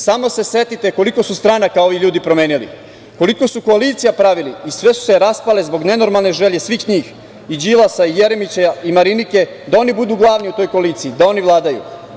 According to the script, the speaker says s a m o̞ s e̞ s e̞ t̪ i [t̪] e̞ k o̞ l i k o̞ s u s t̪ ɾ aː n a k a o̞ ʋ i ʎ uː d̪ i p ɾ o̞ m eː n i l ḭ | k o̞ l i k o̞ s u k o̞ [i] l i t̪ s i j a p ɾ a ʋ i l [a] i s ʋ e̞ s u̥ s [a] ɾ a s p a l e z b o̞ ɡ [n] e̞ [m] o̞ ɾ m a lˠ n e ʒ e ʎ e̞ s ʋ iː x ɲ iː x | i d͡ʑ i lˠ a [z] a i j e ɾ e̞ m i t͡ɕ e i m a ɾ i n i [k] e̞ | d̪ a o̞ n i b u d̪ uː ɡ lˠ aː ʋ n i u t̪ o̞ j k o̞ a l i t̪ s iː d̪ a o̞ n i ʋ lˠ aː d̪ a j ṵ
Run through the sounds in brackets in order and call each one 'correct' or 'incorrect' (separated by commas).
correct, incorrect, incorrect, incorrect, correct, incorrect, incorrect, correct